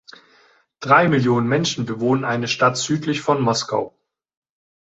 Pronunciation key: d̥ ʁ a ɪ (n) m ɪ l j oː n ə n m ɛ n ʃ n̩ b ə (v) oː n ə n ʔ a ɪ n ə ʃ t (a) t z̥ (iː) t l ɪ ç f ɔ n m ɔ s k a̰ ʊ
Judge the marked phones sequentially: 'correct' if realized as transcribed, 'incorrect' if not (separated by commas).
incorrect, correct, correct, incorrect